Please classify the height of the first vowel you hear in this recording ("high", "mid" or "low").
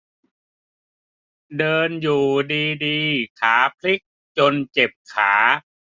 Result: mid